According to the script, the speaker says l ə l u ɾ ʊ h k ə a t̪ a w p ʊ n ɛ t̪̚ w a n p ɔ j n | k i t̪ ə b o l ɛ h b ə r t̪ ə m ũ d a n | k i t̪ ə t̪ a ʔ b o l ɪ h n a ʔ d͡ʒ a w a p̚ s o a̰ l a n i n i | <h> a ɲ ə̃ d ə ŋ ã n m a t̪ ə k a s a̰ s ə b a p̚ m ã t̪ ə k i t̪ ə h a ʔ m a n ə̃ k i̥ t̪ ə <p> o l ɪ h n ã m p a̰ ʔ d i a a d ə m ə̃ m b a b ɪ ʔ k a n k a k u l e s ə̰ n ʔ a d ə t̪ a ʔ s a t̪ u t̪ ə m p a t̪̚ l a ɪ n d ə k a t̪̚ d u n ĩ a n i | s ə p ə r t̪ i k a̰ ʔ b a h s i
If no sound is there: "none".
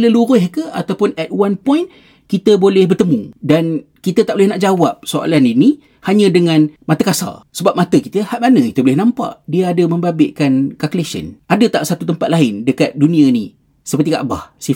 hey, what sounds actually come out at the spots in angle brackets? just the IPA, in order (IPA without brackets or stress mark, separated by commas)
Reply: h, b